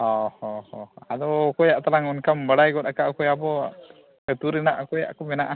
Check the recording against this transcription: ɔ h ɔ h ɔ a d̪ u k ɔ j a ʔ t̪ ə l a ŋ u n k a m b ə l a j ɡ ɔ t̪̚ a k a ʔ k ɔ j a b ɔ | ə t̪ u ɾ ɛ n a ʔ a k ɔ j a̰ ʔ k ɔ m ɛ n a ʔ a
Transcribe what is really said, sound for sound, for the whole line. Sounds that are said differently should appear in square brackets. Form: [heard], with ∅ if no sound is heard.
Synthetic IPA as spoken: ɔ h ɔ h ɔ a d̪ [ɔ] k ɔ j a ʔ t̪ [a] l a ŋ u n k a m b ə [ɽ] a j ɡ ɔ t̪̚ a k a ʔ k ɔ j a b ɔ | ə t̪ u ɾ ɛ n a ʔ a k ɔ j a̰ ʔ k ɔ m ɛ n a ʔ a

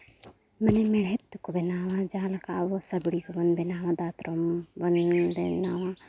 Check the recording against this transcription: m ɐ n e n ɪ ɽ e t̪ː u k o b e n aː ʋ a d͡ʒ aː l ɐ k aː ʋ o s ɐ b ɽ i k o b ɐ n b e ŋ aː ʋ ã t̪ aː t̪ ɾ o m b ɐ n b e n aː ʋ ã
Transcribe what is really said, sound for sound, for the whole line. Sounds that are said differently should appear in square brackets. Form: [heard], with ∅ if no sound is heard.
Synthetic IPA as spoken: m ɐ n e [m] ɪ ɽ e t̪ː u k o b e n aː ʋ a d͡ʒ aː l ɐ k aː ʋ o s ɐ b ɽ i k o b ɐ n b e [n] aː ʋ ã [d̪] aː t̪ ɾ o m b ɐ n b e n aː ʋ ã

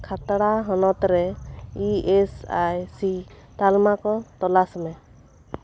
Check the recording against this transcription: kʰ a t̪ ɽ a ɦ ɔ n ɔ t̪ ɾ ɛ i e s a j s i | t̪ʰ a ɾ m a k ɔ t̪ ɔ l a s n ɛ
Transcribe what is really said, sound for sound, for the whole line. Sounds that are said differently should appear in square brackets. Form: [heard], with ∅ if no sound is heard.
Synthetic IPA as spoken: kʰ a t̪ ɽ a ɦ ɔ n ɔ t̪ ɾ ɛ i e s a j s i | [t̪] a [l] m a k ɔ t̪ ɔ l a s [m] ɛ

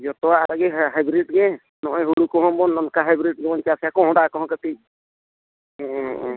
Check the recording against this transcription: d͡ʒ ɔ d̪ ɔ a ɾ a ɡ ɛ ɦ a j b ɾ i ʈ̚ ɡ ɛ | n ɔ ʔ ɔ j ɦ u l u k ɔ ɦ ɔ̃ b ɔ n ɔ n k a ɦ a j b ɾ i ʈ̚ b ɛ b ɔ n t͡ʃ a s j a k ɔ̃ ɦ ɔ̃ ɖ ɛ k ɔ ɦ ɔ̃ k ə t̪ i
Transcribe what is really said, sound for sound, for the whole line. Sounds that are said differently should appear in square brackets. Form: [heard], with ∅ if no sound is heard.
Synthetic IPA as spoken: d͡ʒ ɔ [t̪] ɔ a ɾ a ɡ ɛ ɦ a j b ɾ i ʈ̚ ɡ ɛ | n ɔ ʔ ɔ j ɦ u [ɽ] u k ɔ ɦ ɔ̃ b ɔ n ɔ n k a ɦ a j b ɾ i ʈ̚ [ɡ] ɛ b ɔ n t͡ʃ a s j a k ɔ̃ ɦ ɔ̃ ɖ [a] k ɔ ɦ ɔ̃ k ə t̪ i

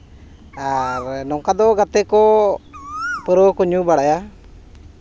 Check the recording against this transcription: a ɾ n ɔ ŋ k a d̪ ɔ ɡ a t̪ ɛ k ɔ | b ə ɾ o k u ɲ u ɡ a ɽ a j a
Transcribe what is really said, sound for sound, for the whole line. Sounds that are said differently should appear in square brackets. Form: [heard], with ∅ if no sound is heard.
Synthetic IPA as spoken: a ɾ n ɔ ŋ k a d̪ ɔ ɡ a t̪ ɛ k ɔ | [p] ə ɾ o k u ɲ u [b] a ɽ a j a

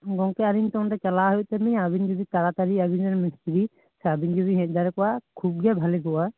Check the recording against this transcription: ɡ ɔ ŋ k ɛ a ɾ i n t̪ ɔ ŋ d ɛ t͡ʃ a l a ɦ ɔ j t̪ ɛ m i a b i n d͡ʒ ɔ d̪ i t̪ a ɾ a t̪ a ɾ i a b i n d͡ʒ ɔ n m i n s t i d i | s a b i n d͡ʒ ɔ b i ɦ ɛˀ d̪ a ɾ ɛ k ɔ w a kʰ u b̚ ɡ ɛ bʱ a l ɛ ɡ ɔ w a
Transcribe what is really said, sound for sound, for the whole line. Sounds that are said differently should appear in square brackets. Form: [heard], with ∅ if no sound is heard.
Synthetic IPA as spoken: ɡ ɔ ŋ k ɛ a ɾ i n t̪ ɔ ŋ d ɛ t͡ʃ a l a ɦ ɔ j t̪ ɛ m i a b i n d͡ʒ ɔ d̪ i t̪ a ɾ a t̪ a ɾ i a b i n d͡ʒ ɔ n m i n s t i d i | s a b i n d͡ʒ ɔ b i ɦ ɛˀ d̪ a ɾ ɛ k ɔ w a kʰ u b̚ ɡ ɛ bʱ a l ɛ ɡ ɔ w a

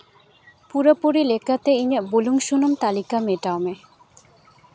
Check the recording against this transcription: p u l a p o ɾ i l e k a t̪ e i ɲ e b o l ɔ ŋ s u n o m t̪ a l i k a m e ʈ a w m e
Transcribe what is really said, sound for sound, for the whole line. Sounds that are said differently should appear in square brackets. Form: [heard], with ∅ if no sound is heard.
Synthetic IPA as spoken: p u [ɾ] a p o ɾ i l e k a t̪ e i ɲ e b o l [u] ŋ [ʃ] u n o m t̪ a l i k a m e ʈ a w m e

